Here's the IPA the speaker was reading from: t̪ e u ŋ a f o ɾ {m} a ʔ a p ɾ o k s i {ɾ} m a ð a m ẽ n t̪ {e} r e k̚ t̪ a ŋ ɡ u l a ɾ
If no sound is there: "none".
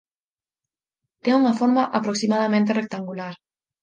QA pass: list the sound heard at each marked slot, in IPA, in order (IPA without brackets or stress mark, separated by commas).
m, none, e